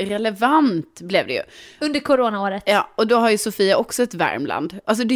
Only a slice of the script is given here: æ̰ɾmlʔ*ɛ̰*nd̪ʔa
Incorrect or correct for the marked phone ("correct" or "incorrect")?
incorrect